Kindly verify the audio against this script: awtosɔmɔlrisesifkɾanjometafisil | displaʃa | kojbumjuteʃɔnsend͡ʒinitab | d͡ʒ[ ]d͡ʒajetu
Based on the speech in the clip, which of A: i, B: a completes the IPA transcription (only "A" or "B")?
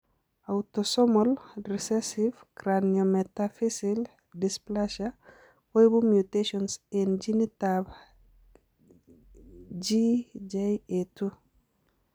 A